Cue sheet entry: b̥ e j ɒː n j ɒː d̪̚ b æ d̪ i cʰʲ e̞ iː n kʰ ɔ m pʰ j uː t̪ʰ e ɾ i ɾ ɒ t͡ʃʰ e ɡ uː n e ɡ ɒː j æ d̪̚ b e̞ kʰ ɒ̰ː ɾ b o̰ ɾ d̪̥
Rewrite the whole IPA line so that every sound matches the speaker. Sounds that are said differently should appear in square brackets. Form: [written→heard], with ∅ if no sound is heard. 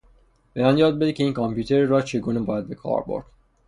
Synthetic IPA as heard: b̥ e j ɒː n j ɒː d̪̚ b [æ→e] d̪ i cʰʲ e̞ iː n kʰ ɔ m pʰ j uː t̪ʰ e ɾ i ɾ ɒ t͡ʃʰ e ɡ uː n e [ɡ→b] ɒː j æ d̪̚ b e̞ kʰ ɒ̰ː ɾ b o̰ ɾ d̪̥